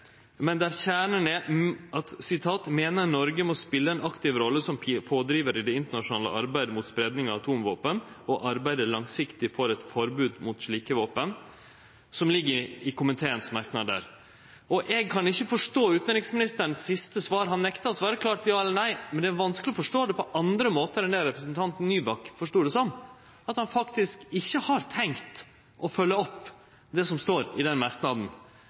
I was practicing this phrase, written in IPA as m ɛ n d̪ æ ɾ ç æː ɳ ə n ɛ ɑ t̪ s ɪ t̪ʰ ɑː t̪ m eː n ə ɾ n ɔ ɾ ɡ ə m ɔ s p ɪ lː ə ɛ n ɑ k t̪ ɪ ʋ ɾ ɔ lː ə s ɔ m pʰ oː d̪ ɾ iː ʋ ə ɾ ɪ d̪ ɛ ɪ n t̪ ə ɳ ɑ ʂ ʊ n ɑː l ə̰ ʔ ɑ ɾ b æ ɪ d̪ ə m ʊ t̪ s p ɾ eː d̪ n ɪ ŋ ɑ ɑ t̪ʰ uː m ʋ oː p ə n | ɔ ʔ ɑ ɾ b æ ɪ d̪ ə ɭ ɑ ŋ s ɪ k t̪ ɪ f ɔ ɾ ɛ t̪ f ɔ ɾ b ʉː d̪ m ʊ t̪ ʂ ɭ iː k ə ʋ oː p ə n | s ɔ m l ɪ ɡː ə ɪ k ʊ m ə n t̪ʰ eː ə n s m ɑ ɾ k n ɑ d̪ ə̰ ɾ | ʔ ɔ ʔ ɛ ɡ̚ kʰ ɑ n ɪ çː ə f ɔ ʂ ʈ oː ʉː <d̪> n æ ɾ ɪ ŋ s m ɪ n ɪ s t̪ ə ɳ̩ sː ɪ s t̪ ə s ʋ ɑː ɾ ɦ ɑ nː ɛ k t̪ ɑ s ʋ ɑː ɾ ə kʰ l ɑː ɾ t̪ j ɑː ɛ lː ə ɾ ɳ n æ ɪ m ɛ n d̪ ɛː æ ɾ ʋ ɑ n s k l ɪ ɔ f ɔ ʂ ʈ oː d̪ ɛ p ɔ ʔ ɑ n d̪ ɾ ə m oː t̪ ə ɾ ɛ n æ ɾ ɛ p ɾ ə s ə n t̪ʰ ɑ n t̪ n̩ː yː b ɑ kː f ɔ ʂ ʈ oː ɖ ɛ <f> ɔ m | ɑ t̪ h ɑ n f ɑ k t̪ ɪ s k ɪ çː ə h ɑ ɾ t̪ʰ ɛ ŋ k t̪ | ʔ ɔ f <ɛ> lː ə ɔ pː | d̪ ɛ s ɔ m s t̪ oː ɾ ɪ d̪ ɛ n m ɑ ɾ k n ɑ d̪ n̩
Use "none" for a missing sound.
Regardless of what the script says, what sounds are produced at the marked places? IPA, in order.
t̪, s, œ

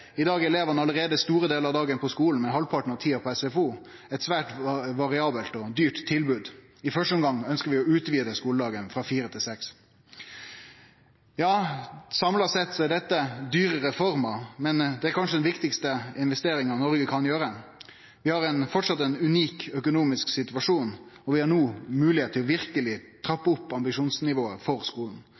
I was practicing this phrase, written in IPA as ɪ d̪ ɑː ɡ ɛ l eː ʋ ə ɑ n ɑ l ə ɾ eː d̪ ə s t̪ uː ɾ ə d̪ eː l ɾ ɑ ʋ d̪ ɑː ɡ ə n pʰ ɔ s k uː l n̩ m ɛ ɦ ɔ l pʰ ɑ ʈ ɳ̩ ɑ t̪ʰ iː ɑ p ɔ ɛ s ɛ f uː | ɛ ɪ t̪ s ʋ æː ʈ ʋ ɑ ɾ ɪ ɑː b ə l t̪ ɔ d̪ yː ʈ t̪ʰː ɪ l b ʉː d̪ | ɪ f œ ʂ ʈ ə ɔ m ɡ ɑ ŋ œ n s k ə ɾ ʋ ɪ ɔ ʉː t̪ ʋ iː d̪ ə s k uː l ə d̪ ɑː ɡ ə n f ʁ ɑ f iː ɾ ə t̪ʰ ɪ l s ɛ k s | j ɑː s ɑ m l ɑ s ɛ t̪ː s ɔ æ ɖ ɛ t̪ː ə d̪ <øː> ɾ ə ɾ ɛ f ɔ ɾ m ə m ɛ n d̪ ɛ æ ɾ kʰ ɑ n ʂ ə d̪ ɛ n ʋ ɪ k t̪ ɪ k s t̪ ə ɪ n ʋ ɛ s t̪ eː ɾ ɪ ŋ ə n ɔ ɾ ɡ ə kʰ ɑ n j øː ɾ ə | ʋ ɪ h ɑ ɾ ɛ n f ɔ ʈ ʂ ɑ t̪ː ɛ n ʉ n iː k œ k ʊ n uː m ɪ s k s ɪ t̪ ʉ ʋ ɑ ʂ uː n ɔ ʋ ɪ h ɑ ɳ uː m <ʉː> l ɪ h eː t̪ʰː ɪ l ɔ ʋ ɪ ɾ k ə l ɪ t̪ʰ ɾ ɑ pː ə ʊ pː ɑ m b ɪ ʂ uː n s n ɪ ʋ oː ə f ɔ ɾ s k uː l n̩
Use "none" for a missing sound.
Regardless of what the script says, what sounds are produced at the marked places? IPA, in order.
yː, ʉː

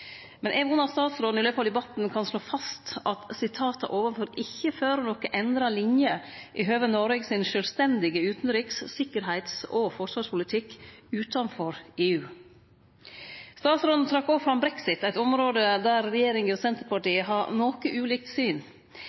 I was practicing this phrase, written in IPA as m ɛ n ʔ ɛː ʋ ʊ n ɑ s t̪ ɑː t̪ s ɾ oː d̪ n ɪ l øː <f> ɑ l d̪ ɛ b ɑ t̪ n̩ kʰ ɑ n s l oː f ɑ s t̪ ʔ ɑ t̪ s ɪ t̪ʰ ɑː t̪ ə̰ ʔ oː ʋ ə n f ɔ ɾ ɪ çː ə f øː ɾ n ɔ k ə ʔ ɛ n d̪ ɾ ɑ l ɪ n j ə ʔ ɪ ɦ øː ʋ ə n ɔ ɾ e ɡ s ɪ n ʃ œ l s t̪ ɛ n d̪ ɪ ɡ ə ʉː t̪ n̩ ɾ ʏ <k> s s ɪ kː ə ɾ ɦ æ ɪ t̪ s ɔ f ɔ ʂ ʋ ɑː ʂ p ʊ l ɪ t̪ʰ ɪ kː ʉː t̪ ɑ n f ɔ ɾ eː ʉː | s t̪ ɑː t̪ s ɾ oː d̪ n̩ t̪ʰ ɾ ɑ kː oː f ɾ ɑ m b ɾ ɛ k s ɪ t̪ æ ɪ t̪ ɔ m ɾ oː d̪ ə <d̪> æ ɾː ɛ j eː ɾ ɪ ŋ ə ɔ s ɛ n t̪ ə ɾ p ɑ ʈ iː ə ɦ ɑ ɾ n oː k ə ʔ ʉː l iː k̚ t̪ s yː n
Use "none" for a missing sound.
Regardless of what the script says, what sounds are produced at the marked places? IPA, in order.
f, k, d̪

